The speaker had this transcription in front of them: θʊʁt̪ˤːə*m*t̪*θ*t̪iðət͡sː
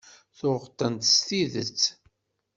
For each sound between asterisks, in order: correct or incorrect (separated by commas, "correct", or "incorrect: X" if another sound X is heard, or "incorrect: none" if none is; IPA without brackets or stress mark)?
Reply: incorrect: n, incorrect: s